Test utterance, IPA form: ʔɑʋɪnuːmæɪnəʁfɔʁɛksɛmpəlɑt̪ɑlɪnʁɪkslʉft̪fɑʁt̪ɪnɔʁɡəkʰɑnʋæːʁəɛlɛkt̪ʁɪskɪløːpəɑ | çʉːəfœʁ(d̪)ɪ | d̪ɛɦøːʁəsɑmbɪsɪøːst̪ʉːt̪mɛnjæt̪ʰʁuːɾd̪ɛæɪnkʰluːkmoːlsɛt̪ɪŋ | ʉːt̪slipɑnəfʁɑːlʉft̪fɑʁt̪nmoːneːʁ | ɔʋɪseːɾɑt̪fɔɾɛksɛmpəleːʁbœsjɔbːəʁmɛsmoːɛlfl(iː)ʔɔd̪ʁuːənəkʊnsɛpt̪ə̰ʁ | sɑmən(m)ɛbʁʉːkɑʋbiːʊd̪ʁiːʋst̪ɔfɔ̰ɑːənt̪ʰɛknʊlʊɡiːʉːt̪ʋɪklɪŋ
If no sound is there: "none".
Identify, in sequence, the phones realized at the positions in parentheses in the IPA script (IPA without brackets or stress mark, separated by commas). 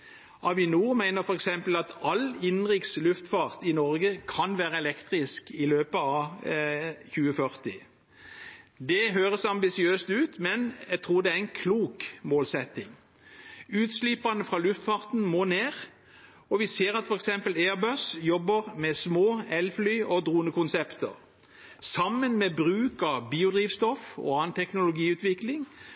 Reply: t̪, yː, m